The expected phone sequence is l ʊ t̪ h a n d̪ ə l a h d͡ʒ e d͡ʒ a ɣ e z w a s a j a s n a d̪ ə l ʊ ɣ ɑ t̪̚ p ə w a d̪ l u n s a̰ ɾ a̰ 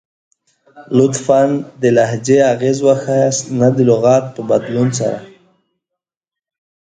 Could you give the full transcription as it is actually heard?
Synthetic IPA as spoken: l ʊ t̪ f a n d̪ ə l a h d͡ʒ e a ɣ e z w a x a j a s n a d̪ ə l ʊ ɣ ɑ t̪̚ p ə b a d̪ l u n s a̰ ɾ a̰